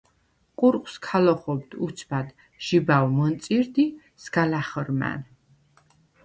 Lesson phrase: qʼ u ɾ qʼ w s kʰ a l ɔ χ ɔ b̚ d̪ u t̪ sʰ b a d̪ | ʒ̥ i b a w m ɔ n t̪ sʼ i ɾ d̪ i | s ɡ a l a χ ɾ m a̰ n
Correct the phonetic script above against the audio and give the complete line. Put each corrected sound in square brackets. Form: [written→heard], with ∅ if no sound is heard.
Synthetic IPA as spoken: qʼ u ɾ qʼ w s kʰ a l ɔ χ ɔ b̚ d̪ u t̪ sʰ b a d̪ | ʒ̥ i b a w m ɔ n t̪ sʼ i ɾ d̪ i | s ɡ a l a χ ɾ m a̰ n